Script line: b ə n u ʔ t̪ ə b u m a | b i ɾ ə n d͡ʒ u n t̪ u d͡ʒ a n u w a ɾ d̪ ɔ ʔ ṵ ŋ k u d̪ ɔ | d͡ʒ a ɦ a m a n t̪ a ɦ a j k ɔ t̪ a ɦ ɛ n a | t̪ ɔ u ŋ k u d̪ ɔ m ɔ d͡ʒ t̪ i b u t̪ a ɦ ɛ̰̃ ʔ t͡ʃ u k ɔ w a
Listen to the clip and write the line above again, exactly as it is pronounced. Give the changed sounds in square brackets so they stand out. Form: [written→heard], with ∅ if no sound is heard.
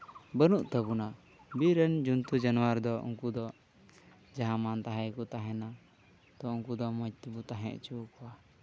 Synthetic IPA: b ə n u ʔ t̪ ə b u [m→n] a | b i ɾ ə n d͡ʒ u n t̪ u d͡ʒ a n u w a ɾ d̪ ɔ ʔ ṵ ŋ k u d̪ ɔ | d͡ʒ a ɦ a m a n t̪ a ɦ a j k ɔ t̪ a ɦ ɛ n a | t̪ ɔ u ŋ k u d̪ ɔ m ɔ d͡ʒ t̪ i b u t̪ a ɦ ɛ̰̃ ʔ t͡ʃ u k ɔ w a